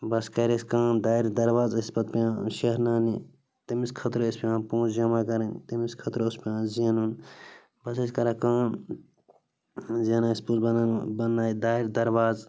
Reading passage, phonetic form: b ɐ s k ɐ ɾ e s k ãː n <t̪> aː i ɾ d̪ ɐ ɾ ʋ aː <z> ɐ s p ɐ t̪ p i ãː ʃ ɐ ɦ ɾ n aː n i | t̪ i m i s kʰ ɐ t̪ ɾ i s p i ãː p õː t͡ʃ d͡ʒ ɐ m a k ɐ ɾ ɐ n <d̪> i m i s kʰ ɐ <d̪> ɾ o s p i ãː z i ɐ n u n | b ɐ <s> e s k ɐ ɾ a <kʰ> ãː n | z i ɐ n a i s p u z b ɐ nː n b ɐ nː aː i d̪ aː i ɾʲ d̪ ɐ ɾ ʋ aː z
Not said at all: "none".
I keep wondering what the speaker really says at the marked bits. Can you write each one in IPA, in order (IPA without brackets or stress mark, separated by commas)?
d̪, z, t̪, t̪, s, k